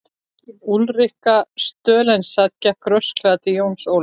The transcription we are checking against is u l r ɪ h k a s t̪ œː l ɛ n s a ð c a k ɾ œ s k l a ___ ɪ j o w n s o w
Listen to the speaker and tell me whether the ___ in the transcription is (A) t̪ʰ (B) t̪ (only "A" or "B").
B